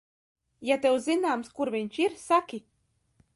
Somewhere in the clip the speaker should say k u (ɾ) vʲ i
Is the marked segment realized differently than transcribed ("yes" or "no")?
no